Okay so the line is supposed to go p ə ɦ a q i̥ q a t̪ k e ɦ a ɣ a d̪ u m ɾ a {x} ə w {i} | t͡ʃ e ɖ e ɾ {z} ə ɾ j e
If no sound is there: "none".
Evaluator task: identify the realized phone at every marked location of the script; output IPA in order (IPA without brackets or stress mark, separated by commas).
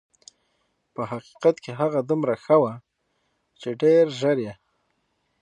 x, a, ʒ